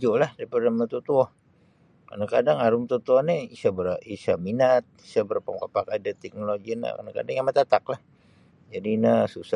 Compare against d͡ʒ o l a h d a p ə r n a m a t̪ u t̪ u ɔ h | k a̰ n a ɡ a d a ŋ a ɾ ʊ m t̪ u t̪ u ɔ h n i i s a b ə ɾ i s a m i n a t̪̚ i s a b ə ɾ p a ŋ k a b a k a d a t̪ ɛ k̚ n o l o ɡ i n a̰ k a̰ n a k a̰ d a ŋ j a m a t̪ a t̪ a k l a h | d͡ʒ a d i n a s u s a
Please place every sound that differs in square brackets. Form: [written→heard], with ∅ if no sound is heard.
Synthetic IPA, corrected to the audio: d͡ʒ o l a h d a p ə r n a m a t̪ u t̪ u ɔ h | k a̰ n a [ɡ→k] a d a ŋ a ɾ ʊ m t̪ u t̪ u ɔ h n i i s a b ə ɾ i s a m i n a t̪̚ i s a b ə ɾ p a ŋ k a [b→p] a k a d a t̪ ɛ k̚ n o l o ɡ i n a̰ k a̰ n a k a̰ d a ŋ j a m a t̪ a t̪ a k l a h | d͡ʒ a d i n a s u s a